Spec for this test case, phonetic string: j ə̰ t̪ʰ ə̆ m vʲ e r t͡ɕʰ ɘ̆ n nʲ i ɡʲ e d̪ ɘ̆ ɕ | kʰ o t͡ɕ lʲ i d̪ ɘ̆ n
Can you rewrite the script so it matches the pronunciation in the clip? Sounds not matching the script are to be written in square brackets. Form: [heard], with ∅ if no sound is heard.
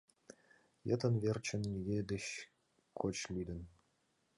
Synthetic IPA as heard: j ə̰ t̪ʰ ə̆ [n] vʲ e r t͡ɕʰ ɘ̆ n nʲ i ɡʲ e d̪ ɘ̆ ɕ | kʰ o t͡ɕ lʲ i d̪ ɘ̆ n